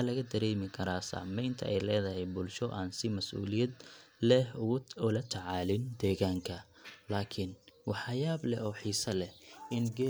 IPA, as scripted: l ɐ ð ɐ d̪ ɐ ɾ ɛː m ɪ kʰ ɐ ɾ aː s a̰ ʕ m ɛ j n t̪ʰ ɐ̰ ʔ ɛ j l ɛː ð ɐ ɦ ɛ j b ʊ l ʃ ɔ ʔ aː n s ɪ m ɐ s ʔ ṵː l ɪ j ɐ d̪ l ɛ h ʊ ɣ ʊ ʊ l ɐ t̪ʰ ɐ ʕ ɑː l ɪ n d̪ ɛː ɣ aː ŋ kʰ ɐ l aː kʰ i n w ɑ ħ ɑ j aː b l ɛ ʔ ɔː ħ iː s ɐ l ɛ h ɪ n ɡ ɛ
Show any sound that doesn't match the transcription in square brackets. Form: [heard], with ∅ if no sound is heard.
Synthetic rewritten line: l ɐ [ɣ] ɐ d̪ ɐ ɾ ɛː m ɪ kʰ ɐ ɾ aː s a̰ ʕ m ɛ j n t̪ʰ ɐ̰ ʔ ɛ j l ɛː ð ɐ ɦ ɛ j b ʊ l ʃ ɔ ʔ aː n s ɪ m ɐ s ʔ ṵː l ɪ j ɐ d̪ l ɛ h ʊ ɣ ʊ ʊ l ɐ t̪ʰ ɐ ʕ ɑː l ɪ n d̪ ɛː ɣ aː ŋ kʰ ɐ l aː kʰ [ɪ] n w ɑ ħ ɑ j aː b l ɛ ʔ ɔː ħ iː s ɐ l ɛ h ɪ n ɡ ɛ